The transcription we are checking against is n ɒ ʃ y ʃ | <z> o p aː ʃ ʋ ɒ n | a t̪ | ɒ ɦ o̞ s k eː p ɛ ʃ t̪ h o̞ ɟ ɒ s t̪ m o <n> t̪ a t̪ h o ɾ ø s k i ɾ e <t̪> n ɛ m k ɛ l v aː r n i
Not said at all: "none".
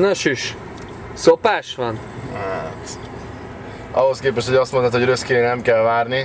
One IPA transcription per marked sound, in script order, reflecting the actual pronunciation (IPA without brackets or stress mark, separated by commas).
s, n, none